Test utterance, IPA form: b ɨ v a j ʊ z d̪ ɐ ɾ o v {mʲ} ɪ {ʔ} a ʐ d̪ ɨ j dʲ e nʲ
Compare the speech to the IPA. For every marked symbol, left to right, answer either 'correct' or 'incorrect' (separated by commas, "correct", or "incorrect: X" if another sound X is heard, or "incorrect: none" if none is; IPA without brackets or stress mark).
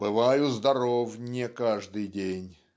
incorrect: nʲ, incorrect: k